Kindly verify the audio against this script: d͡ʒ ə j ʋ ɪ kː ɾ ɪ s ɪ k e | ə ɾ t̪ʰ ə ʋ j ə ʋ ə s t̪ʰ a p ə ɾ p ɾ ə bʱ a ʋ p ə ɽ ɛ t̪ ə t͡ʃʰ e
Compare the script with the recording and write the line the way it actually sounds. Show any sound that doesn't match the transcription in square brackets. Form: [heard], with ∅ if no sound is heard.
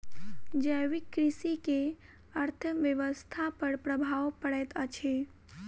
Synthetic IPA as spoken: d͡ʒ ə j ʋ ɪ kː ɾ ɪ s [i] k e | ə ɾ t̪ʰ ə ʋ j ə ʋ ə s t̪ʰ a p ə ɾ p ɾ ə bʱ a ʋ p ə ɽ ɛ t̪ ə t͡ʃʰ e